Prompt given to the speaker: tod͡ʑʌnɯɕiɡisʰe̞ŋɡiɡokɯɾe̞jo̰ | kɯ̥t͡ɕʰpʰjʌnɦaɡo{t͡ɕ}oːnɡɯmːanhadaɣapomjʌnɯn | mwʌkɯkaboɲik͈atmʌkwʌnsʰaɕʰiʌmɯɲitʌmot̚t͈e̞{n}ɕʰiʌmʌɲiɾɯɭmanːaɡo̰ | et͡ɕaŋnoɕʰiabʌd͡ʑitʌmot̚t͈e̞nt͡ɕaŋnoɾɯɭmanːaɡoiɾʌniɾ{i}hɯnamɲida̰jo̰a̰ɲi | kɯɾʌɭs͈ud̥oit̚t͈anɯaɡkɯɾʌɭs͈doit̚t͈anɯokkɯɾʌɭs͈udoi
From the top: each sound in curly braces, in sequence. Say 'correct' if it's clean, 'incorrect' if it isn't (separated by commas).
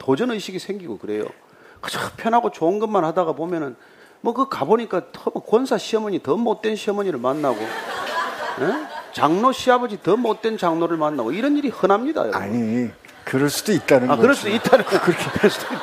correct, correct, correct